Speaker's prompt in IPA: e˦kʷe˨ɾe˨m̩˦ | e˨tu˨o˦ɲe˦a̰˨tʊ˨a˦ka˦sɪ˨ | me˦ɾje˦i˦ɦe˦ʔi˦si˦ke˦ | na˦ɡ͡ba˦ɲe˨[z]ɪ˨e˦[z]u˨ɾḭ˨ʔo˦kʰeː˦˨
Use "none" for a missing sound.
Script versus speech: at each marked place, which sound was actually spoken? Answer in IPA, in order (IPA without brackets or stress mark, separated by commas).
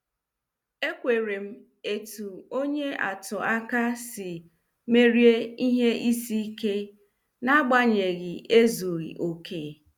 ɣ, z